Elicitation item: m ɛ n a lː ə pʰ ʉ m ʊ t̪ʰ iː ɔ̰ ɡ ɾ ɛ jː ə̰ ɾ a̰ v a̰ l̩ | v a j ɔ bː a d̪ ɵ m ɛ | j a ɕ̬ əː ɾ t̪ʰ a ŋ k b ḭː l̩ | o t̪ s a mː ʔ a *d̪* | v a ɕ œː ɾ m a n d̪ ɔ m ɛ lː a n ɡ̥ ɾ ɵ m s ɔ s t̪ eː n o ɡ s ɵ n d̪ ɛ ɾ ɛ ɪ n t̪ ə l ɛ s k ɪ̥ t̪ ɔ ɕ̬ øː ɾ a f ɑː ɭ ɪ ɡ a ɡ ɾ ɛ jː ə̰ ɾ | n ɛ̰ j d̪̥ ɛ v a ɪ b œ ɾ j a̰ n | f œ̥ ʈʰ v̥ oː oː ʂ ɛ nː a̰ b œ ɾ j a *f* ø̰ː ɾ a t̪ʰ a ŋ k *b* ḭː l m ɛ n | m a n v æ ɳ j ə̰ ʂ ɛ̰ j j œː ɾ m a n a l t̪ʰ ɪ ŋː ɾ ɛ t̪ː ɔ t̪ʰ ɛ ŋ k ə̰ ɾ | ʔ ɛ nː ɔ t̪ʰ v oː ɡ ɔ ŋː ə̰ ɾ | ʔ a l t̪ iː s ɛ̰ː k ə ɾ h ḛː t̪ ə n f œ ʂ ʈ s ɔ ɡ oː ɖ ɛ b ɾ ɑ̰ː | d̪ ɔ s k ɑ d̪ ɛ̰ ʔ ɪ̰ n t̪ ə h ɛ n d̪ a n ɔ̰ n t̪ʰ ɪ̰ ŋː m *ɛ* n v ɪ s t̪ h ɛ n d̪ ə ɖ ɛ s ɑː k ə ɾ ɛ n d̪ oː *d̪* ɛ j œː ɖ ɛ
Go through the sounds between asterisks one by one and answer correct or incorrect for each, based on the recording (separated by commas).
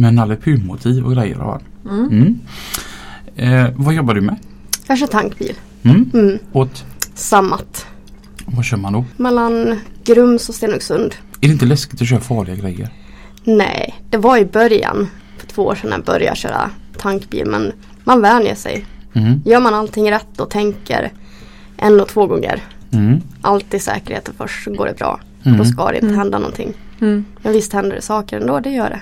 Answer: incorrect, incorrect, correct, correct, correct